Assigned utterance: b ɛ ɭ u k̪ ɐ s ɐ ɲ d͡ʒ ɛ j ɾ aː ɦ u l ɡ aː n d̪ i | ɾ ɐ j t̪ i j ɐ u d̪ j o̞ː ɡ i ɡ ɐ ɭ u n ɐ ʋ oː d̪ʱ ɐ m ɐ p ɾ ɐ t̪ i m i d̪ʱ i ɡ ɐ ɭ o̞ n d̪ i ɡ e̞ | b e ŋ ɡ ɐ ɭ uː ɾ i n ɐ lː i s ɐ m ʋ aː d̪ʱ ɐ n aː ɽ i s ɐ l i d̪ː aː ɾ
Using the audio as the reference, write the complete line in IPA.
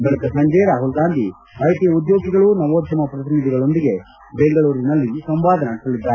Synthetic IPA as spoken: b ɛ ɭ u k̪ ɐ s ɐ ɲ d͡ʒ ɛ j ɾ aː ɦ u l ɡ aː n d̪ i | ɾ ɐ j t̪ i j ɐ u d̪ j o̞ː ɡ i ɡ ɐ ɭ u n ɐ ʋ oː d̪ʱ ɐ m ɐ p ɾ ɐ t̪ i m i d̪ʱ i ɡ ɐ ɭ o̞ n d̪ i ɡ e̞ | b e ŋ ɡ ɐ ɭ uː ɾ i n ɐ lː i s ɐ m ʋ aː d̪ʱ ɐ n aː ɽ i s ɐ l i d̪ː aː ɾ